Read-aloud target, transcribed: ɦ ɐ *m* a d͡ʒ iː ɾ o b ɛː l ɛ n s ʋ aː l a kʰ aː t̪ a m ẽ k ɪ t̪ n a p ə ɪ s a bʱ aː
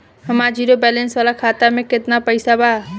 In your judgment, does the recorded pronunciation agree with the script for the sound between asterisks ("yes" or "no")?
yes